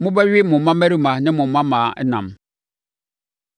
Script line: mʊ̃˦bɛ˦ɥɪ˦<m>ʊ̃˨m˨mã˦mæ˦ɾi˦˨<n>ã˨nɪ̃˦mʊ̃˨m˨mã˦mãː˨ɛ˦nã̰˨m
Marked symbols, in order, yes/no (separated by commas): yes, no